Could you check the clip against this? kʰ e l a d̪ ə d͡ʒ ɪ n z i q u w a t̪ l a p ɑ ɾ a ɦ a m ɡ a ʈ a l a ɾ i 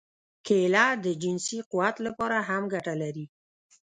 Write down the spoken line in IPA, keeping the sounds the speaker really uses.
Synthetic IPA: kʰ e l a d̪ ə d͡ʒ ɪ n s i q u w a t̪ l a p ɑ ɾ a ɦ a m ɡ a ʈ a l a ɾ i